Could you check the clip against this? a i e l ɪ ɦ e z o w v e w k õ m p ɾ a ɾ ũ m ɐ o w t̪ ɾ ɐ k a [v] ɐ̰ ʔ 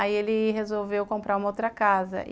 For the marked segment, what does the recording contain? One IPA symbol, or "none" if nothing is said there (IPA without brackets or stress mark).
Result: z